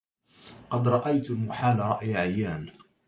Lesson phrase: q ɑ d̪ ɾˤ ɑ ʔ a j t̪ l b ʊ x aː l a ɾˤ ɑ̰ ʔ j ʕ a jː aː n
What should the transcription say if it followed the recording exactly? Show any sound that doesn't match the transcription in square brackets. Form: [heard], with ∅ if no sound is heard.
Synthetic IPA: q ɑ d̪ ɾˤ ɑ ʔ a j t̪ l [m] ʊ [ħ] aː l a ɾˤ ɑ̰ ʔ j ʕ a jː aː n